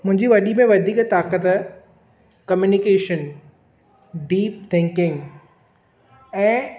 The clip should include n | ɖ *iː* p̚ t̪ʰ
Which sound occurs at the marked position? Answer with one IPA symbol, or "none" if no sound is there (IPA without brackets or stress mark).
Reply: iː